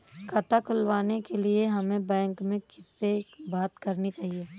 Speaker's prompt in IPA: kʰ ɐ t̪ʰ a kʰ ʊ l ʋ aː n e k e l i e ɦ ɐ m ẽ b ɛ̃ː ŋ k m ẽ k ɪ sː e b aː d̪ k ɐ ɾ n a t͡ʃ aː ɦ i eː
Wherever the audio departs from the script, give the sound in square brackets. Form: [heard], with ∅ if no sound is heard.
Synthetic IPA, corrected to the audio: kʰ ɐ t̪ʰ a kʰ ʊ l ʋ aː n e k e l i e ɦ ɐ m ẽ b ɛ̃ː ŋ k m ẽ k ɪ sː e b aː [t̪] k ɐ ɾ n [i] t͡ʃ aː ɦ i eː